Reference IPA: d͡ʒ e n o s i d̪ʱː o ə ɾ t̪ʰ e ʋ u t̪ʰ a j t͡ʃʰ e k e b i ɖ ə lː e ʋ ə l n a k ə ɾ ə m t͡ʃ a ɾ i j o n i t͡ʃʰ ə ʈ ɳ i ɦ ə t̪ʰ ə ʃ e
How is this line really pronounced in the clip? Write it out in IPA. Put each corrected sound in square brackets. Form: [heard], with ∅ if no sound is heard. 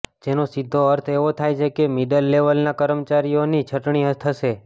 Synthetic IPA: d͡ʒ e n o s i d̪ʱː o ə ɾ t̪ʰ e ʋ [o] t̪ʰ a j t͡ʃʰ e k e [m] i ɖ ə lː e ʋ ə l n a k ə ɾ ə m t͡ʃ a ɾ i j o n i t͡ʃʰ ə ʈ ɳ i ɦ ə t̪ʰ ə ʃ e